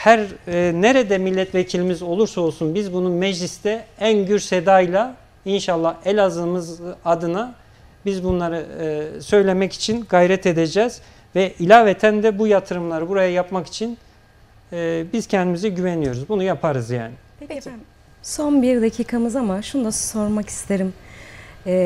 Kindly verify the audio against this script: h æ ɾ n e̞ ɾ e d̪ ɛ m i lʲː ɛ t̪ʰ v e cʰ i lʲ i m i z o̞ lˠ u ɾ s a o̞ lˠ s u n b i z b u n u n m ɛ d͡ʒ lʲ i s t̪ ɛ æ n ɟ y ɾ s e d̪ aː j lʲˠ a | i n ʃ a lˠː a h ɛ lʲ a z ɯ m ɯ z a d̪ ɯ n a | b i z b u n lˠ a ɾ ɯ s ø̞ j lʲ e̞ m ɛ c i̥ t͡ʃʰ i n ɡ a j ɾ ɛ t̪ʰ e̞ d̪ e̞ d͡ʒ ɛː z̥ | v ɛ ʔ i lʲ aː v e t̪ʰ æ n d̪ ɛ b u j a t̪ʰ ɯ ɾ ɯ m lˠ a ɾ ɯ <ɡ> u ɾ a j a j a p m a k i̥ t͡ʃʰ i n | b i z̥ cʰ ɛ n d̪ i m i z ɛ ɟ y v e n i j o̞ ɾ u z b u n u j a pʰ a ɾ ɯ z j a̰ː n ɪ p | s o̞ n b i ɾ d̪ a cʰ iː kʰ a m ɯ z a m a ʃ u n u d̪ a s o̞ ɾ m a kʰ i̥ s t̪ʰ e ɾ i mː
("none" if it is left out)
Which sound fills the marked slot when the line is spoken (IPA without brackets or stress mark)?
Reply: b